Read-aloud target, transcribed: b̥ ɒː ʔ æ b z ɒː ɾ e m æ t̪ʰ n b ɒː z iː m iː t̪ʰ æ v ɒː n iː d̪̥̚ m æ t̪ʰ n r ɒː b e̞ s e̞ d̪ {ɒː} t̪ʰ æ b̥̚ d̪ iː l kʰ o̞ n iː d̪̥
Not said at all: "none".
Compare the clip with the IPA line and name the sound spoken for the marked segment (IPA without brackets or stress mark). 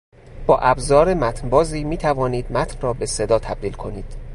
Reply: ɒː